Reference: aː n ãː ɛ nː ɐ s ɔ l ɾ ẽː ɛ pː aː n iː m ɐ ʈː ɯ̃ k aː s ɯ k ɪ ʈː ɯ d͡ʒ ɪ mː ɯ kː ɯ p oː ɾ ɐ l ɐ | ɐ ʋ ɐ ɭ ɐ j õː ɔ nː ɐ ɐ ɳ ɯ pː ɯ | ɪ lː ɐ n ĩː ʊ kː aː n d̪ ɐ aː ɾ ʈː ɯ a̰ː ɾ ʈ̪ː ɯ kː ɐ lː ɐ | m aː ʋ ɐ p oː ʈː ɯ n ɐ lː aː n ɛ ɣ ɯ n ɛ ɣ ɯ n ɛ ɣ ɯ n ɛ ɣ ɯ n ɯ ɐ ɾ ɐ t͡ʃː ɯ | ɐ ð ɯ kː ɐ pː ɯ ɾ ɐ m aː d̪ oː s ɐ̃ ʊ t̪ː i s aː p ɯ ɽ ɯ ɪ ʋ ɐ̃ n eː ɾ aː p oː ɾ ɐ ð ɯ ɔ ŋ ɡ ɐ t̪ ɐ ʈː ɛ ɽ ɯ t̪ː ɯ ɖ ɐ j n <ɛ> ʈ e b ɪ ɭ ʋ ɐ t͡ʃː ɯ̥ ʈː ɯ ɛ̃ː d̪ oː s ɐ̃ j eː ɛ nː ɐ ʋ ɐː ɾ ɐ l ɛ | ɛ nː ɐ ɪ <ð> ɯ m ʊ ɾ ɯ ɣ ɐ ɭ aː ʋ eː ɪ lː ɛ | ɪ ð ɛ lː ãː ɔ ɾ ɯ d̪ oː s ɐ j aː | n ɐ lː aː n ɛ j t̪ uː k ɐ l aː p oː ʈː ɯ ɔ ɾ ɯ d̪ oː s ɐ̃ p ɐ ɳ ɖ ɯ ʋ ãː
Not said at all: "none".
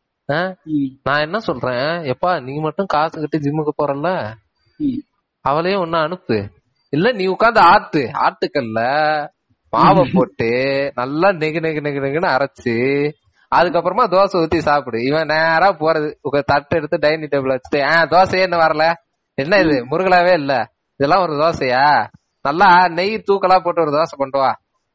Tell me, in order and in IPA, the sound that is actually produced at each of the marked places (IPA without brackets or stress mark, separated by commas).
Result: i, ð